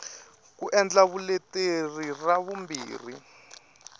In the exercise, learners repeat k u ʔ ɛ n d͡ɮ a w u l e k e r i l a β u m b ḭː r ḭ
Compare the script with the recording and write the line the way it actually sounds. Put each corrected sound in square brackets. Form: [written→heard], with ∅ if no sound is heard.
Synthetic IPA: k u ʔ ɛ n d͡ɮ a [w→β] u l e [k→t] e r i [l→r] a β u m b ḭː r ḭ

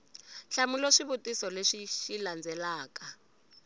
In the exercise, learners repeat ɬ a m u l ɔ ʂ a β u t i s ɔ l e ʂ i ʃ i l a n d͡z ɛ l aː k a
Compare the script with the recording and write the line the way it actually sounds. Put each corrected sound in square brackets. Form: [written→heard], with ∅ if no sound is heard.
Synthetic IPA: ɬ a m u l ɔ ʂ [a→i] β u t i s ɔ l e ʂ i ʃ i l a n d͡z ɛ l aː k a

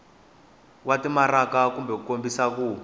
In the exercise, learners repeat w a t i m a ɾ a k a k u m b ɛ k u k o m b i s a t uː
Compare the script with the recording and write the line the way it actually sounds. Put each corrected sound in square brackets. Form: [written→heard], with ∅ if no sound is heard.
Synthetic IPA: w a t i m a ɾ a k a k u m b ɛ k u k o m b i s a [t→k] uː

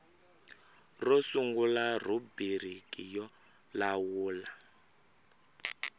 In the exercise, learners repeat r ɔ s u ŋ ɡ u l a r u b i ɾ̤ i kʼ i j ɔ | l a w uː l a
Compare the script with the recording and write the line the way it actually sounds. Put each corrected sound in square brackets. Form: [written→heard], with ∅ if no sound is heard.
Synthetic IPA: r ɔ s u ŋ ɡ u l a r u b i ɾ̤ i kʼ i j ɔ | l a w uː l a

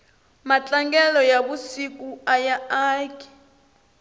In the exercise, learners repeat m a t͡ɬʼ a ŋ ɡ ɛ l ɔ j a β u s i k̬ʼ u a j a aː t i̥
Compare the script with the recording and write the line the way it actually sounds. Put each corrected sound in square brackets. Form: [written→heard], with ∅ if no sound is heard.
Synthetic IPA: m a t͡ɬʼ a ŋ ɡ ɛ l ɔ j a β u s i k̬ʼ u a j a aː [t→k] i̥

